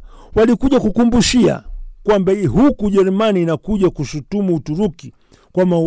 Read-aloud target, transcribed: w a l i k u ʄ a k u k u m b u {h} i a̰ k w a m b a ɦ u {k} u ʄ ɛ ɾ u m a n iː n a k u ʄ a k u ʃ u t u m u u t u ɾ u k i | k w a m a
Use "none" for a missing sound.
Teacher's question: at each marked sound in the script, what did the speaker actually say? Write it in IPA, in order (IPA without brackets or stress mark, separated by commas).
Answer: ʃ, k